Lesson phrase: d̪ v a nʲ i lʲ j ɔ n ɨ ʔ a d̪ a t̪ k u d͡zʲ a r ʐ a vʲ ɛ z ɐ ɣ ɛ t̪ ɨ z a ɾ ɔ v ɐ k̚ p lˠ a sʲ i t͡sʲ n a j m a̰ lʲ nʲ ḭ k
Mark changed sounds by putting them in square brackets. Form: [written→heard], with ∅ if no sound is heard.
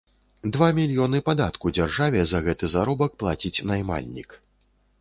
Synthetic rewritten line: d̪ v a [nʲ→mʲ] i lʲ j ɔ n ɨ [ʔ→p] a d̪ a t̪ k u d͡zʲ a r ʐ a vʲ ɛ z ɐ ɣ ɛ t̪ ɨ z a ɾ ɔ [v→b] ɐ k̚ p lˠ a [sʲ→t͡sʲ] i t͡sʲ n a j m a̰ lʲ nʲ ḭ k

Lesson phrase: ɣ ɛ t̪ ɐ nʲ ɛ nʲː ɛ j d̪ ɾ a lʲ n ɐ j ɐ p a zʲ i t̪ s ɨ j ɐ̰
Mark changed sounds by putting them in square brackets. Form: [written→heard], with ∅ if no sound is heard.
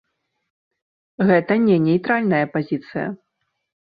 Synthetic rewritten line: ɣ ɛ t̪ ɐ nʲ ɛ [nʲː→nʲ] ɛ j [d̪→t̪] ɾ a lʲ n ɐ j ɐ p a zʲ i t̪ s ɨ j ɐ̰

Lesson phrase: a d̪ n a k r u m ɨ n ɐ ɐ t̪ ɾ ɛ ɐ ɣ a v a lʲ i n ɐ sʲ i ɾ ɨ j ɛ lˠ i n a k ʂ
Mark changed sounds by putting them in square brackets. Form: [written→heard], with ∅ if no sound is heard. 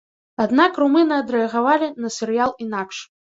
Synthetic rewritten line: a d̪ n a k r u m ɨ n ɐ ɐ [t̪→d̪] ɾ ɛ ɐ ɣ a v a lʲ i n ɐ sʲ [i→ɛ] ɾ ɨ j [ɛ→a] lˠ i n a k ʂ

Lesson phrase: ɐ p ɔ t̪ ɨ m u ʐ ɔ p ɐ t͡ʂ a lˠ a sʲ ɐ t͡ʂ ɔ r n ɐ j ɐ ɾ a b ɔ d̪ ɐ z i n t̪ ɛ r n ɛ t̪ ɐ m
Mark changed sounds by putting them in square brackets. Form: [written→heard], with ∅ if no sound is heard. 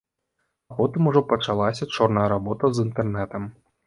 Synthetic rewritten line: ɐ p ɔ t̪ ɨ m u ʐ ɔ p ɐ t͡ʂ a lˠ a sʲ ɐ t͡ʂ ɔ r n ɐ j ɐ ɾ a b ɔ [d̪→t̪] ɐ z i n t̪ ɛ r n ɛ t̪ ɐ m

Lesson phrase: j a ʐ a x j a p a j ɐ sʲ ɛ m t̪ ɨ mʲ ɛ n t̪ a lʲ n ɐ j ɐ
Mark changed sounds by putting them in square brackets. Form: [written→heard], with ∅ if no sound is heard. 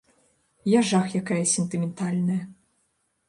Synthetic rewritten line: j a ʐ a x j a [p→k] a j ɐ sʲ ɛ [m→n] t̪ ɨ mʲ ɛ n t̪ a lʲ n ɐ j ɐ

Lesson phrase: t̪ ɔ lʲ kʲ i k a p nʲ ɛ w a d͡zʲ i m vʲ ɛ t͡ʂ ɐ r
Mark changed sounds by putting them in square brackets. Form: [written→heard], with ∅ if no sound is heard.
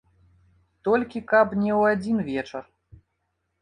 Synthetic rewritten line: t̪ ɔ lʲ kʲ i k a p nʲ ɛ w a d͡zʲ i [m→n] vʲ ɛ t͡ʂ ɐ r

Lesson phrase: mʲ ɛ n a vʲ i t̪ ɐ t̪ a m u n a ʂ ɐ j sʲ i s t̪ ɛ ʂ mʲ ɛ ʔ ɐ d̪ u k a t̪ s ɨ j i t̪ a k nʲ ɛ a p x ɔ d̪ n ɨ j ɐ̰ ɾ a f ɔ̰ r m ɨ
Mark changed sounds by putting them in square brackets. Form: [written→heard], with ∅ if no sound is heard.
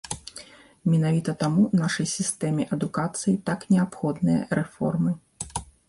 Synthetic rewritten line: mʲ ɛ n a vʲ i t̪ ɐ t̪ a m u n a ʂ ɐ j sʲ i s t̪ ɛ [ʂ→∅] mʲ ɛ ʔ ɐ d̪ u k a t̪ s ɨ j i t̪ a k nʲ ɛ a p x ɔ d̪ n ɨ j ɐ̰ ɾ [a→ɛ] f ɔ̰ r m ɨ

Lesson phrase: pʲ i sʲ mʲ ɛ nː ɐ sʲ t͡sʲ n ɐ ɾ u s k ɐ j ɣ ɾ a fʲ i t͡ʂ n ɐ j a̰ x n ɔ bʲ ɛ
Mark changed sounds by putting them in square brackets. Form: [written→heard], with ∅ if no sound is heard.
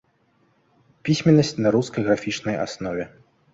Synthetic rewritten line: pʲ i sʲ mʲ ɛ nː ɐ sʲ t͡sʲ n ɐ ɾ u s k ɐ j ɣ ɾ a fʲ i t͡ʂ n ɐ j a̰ [x→s] n ɔ [bʲ→vʲ] ɛ

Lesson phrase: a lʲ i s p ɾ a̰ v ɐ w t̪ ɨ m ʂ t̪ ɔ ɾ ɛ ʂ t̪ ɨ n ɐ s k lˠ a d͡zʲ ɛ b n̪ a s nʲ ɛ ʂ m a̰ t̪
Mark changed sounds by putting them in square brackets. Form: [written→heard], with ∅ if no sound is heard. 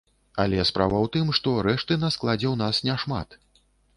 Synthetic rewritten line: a lʲ [i→ɛ] s p ɾ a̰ v ɐ w t̪ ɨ m ʂ t̪ ɔ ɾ ɛ ʂ t̪ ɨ n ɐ s k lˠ a d͡zʲ ɛ [b→w] n̪ a s nʲ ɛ ʂ m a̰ t̪

